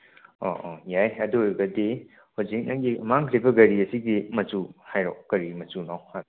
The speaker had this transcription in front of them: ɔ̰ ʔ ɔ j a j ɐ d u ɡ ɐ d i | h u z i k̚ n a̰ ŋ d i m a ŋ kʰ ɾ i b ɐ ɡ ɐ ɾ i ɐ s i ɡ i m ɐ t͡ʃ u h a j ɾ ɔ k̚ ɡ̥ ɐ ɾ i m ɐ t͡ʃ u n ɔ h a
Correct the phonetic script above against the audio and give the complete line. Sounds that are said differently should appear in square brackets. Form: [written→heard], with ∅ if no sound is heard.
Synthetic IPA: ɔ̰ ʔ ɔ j a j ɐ d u ɡ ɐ d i | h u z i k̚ n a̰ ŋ [d→ɡ] i m a ŋ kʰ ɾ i b ɐ ɡ ɐ ɾ i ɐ s i ɡ i m ɐ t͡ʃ u h a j ɾ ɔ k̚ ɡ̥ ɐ ɾ i m ɐ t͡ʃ u n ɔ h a

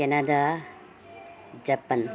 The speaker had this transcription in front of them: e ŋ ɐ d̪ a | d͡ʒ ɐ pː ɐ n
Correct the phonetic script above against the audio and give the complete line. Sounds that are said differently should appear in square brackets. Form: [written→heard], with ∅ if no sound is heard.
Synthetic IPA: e [ŋ→n] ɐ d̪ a | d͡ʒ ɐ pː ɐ n

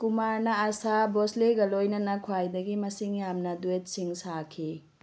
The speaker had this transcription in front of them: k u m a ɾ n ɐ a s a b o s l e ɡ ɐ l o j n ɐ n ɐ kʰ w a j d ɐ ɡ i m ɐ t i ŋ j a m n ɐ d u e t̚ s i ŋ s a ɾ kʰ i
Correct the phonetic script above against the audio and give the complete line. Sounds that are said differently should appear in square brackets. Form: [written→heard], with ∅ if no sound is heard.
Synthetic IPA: k u m a ɾ n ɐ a s a b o s l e ɡ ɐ l o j n ɐ n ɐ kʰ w a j d ɐ ɡ i m ɐ [t→s] i ŋ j a m n ɐ d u e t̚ s i ŋ s a [ɾ→∅] kʰ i

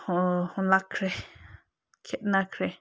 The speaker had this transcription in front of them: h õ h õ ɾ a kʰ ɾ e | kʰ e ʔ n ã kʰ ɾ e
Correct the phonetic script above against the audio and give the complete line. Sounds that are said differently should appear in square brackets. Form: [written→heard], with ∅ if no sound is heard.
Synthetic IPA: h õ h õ [ɾ→l] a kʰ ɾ e | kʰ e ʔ n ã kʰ ɾ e

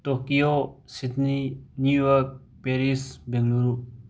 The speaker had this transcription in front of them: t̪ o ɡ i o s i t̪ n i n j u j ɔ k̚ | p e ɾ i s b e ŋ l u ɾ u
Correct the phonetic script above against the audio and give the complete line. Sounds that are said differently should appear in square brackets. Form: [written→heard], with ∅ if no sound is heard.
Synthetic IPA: t̪ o [ɡ→k] i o s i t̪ n i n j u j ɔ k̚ | p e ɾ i s b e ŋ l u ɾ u

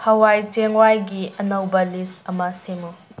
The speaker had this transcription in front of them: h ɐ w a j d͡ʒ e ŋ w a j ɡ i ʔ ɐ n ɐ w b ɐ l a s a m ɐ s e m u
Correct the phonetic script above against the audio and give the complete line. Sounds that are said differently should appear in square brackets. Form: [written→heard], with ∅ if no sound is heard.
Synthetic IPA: h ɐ w a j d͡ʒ e ŋ w a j ɡ i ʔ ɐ n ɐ w b ɐ l [a→i] s [a→ɐ] m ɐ s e m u

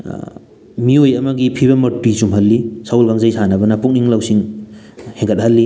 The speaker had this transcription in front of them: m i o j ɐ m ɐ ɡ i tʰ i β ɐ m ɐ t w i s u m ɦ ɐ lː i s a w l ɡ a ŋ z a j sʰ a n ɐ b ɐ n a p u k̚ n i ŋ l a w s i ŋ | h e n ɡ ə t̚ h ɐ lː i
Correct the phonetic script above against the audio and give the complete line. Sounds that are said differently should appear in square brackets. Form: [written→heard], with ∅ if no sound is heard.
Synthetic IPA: m i o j ɐ m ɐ ɡ i [tʰ→pʰ] i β ɐ m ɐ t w i s u m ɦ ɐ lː i s a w l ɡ a ŋ z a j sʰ a n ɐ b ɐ n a p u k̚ n i ŋ l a w s i ŋ | h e [n→ŋ] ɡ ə t̚ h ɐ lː i

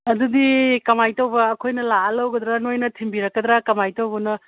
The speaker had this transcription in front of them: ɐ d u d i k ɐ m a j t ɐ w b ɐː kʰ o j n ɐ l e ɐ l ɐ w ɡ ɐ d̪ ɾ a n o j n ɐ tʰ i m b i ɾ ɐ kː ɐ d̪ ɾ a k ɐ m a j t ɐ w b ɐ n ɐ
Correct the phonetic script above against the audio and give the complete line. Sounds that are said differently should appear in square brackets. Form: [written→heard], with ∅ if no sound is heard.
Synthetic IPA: ɐ d u d i k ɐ m a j t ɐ w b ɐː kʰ o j n ɐ l [e→a] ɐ l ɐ w ɡ ɐ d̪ ɾ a n o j n ɐ tʰ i m b i ɾ ɐ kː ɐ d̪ ɾ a k ɐ m a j t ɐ w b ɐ n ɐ

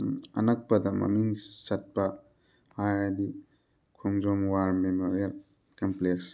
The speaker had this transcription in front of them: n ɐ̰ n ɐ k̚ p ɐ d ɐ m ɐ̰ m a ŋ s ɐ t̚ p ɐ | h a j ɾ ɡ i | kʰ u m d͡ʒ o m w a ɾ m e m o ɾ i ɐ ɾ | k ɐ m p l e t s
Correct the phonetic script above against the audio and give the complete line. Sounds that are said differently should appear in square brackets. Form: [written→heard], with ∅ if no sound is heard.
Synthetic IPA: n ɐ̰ n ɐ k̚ p ɐ d ɐ m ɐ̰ m [a→i] ŋ s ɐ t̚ p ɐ | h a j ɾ [ɡ→d] i | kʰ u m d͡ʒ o m w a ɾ m e m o ɾ i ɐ [ɾ→l] | k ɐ m p l e [t→k] s

